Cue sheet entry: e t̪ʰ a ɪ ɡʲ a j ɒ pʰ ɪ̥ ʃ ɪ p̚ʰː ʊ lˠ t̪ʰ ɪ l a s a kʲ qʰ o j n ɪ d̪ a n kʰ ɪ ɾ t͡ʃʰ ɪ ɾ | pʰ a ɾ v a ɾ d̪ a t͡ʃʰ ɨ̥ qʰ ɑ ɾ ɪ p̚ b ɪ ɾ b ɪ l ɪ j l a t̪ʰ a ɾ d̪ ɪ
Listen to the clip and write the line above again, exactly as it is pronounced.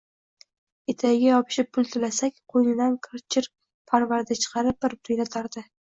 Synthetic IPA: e t̪ʰ a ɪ ɡʲ a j ɒ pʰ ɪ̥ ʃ ɪ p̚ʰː ʊ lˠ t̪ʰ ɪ l a s a kʲ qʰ o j n ɪ d̪ a n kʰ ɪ ɾ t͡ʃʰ ɪ ɾ | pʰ a ɾ v a ɾ d̪ a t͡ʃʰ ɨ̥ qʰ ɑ ɾ ɪ p̚ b ɪ ɾ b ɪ ɾ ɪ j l a t̪ʰ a ɾ d̪ ɪ